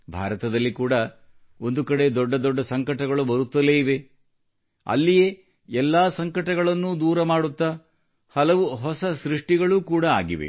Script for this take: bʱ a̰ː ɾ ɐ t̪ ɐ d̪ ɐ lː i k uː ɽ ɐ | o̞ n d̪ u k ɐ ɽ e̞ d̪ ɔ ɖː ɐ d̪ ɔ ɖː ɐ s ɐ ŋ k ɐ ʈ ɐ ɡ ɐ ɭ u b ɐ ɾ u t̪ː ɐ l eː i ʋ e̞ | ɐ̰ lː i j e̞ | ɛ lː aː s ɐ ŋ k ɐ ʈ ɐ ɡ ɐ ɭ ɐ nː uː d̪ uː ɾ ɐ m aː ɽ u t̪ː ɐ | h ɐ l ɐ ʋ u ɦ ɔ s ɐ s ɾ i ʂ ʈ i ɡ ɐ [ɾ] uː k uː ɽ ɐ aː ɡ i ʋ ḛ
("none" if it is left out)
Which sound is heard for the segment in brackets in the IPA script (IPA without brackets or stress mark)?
ɭ